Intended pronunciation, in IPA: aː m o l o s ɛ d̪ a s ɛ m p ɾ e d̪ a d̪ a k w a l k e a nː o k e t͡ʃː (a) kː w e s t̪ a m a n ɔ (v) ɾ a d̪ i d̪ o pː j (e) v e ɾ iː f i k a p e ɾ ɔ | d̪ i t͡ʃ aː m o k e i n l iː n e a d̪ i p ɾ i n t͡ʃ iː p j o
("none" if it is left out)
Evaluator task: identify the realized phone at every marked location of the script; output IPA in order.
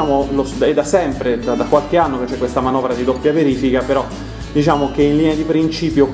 ɛ, v, a

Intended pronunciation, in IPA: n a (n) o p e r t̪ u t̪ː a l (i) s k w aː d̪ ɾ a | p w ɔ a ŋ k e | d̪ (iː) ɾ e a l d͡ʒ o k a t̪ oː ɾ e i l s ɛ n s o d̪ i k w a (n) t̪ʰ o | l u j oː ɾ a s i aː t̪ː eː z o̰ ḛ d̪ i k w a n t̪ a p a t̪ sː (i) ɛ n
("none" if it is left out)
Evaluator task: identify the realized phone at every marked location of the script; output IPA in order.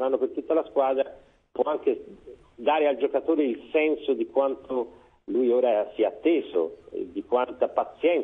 nː, a, aː, n, j

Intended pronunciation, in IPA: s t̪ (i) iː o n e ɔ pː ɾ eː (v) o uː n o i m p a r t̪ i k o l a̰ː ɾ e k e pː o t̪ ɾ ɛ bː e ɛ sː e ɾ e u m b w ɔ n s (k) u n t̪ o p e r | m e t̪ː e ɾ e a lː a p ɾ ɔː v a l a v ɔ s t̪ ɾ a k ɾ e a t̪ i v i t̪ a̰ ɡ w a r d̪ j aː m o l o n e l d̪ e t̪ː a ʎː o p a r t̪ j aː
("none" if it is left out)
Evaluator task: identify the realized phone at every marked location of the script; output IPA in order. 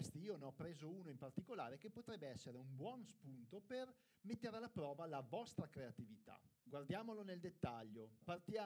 i, z, p

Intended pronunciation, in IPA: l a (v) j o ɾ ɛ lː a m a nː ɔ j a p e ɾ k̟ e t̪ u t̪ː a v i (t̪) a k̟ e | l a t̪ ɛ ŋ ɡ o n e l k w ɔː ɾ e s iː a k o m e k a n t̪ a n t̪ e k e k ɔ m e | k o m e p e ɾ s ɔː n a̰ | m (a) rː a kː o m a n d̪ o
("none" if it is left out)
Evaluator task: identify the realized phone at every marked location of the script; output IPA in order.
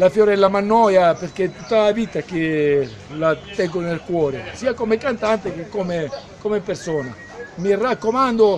f, t̪, i

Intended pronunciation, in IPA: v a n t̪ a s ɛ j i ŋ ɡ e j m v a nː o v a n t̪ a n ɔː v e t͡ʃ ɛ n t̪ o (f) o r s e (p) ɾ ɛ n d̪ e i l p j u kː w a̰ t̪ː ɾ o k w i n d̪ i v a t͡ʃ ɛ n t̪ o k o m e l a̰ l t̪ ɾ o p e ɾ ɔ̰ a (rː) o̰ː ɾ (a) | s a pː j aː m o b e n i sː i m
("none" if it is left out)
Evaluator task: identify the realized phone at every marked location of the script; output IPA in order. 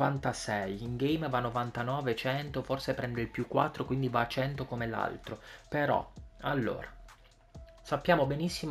f, p, lː, a

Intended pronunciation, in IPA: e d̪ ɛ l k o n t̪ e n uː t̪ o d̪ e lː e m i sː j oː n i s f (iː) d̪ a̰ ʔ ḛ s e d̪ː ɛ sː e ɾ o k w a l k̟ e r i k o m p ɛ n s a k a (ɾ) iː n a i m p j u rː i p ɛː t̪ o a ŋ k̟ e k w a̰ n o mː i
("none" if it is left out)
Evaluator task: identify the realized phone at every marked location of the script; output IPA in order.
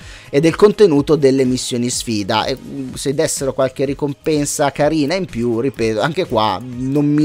iː, ɾ

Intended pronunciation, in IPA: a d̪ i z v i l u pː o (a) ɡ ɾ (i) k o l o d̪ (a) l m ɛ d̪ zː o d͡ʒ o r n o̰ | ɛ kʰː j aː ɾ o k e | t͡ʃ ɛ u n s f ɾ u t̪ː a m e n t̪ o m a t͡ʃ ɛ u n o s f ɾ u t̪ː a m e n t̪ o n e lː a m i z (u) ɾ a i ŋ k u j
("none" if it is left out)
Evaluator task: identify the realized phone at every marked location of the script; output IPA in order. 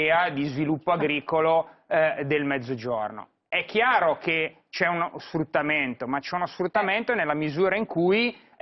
a, iː, e, uː

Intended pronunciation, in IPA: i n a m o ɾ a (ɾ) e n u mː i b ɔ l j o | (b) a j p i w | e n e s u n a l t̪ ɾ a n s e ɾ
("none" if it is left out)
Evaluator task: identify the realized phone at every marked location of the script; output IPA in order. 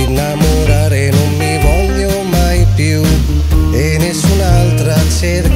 ɾ, m

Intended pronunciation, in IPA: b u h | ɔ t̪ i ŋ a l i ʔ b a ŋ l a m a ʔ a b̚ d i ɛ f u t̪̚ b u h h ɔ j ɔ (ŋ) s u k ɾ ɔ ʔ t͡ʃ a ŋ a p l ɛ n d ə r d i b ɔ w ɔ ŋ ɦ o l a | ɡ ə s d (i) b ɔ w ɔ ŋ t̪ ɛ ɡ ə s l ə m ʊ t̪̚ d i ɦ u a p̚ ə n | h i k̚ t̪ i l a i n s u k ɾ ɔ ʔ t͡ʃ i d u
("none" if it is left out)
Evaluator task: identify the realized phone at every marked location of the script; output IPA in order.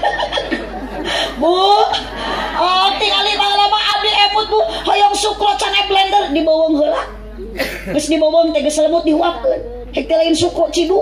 ŋ, i

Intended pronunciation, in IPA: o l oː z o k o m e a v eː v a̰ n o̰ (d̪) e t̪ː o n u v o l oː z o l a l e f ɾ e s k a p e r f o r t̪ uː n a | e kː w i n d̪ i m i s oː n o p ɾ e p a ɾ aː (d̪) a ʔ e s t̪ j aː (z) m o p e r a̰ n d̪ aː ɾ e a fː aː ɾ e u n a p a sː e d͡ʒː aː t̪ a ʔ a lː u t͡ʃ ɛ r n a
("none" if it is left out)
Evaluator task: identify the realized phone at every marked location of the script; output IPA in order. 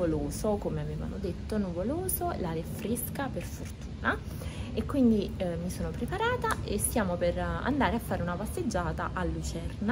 d̪, t̪, none

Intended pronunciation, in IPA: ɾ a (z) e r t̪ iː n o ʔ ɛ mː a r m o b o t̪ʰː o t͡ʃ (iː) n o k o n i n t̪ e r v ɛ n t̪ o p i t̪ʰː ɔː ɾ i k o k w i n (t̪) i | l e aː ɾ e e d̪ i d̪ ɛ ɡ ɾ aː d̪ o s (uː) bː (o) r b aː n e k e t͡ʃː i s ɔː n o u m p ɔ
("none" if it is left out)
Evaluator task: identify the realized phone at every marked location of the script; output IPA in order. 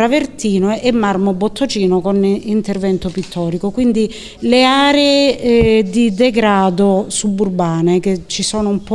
v, iː, d̪, u, u

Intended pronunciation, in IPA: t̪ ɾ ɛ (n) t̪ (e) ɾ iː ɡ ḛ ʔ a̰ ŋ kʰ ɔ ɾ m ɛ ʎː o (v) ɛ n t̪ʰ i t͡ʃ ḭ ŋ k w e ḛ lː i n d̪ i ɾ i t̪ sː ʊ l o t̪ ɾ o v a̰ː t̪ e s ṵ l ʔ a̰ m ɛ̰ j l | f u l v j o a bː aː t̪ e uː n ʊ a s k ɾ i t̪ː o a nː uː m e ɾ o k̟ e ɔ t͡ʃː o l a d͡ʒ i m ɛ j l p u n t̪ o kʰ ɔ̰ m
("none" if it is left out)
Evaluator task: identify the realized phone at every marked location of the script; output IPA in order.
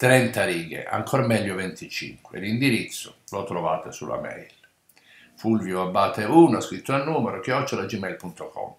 n, a, v

